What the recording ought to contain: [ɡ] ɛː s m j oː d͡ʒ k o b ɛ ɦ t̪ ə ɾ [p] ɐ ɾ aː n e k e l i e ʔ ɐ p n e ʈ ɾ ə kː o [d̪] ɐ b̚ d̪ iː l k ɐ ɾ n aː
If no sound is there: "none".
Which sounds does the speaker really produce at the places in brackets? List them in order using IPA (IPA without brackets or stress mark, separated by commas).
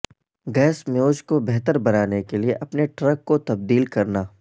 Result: ɡ, b, t̪